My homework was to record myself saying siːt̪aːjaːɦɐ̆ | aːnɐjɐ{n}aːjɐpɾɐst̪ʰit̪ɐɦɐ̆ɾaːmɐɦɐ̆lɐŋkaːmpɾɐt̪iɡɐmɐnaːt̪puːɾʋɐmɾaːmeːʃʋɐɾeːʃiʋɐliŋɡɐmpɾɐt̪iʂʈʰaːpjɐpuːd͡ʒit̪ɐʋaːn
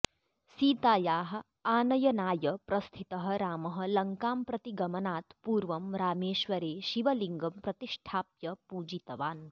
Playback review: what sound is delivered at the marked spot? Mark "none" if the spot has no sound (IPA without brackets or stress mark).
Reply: n